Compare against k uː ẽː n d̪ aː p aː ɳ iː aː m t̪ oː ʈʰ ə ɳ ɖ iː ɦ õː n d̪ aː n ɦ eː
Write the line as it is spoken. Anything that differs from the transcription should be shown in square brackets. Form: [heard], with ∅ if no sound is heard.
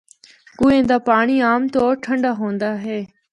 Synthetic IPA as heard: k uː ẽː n d̪ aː p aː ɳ iː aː m t̪ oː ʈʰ ə ɳ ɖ [aː] ɦ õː n d̪ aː [∅] ɦ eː